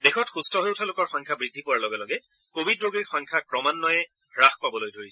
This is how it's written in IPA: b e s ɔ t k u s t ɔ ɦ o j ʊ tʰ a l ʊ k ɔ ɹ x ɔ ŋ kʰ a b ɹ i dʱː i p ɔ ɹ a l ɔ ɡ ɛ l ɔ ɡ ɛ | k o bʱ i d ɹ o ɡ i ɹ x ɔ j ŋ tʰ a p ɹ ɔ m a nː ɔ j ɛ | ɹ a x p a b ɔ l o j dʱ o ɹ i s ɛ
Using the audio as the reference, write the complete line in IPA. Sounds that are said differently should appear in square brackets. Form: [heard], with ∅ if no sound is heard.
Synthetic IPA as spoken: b e [x] ɔ t [x] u s t ɔ ɦ o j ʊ tʰ a l ʊ k ɔ ɹ x ɔ ŋ kʰ a b ɹ i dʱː i p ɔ ɹ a l ɔ ɡ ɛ l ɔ ɡ ɛ | k o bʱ i d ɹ o ɡ i ɹ x ɔ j ŋ [kʰ] a [k] ɹ ɔ m a nː ɔ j ɛ | ɹ a x p a b ɔ l o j dʱ o ɹ i s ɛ